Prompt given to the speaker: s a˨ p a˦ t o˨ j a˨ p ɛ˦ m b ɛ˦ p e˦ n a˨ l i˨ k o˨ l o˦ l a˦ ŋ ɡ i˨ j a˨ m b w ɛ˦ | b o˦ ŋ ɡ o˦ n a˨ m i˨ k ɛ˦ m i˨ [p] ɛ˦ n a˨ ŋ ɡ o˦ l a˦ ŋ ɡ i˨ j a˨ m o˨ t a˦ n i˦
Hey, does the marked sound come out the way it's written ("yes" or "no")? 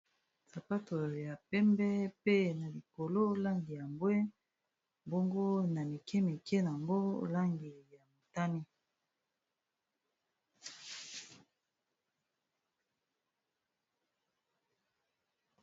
no